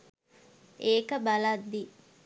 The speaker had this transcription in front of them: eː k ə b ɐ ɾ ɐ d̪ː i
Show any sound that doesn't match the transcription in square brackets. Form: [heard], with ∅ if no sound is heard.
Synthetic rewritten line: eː k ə b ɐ [l] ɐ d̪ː i